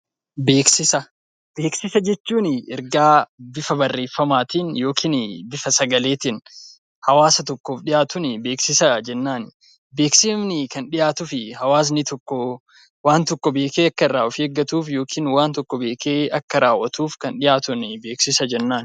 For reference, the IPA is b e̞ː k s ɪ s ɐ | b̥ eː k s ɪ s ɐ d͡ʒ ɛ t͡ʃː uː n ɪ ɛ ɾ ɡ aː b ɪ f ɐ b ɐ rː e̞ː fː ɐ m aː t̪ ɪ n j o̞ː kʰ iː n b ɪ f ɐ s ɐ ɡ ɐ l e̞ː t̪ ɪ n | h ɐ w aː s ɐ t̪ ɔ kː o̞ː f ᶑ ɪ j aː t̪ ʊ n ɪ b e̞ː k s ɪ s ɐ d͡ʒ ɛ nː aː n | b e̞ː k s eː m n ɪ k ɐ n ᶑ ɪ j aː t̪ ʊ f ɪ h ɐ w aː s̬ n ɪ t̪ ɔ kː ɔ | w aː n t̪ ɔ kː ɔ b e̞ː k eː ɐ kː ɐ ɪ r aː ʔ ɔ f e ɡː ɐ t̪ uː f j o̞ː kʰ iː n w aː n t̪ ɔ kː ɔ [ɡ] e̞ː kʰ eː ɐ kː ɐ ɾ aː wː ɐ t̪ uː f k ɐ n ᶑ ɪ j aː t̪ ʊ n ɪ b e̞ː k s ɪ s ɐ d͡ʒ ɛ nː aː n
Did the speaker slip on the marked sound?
yes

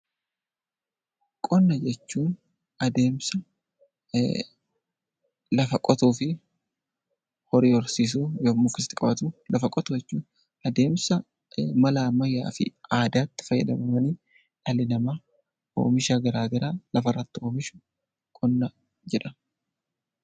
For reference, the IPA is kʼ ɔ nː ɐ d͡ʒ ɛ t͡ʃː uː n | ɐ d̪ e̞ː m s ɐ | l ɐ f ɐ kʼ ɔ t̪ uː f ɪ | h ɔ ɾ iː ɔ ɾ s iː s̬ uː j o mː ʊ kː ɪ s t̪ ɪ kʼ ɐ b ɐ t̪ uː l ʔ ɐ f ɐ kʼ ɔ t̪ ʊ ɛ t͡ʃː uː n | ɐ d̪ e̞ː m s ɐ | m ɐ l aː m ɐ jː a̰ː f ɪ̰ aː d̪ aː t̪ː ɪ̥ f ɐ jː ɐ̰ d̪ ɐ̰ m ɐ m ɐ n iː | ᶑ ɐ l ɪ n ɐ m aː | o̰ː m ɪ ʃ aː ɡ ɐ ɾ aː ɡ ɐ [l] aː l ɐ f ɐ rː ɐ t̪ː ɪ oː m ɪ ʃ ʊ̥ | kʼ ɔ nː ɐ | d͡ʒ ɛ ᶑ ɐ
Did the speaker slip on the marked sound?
yes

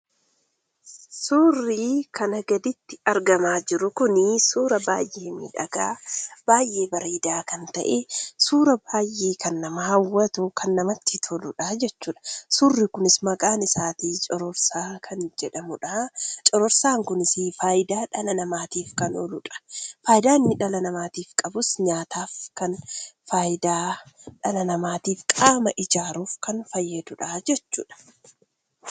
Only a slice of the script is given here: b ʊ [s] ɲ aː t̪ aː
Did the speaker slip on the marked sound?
no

